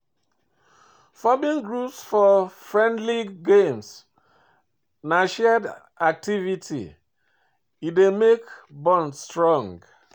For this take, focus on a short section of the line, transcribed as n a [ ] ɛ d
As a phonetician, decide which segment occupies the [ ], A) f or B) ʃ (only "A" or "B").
B